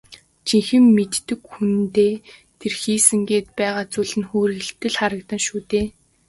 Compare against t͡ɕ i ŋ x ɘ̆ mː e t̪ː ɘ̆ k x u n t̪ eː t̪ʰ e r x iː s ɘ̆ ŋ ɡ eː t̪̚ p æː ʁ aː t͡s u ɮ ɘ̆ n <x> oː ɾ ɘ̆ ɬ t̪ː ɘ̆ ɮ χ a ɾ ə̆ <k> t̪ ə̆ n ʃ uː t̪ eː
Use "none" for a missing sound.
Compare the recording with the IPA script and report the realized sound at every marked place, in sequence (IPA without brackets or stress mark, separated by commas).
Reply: x, k